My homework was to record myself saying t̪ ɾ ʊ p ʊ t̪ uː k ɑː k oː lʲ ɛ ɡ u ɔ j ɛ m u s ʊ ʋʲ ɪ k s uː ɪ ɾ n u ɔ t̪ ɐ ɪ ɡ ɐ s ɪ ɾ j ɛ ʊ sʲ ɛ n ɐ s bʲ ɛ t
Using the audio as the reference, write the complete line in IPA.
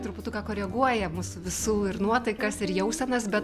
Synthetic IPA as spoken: t̪ ɾ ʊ p ʊ t̪ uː k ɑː k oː ɾʲ ɛ ɡ u ɔ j ɛ m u s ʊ ʋʲ ɪ s uː ɪ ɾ n u ɔ t̪ ɐ ɪ k ɐ s ɪ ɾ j ɛ ʊ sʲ ɛ n ɐ s bʲ ɛ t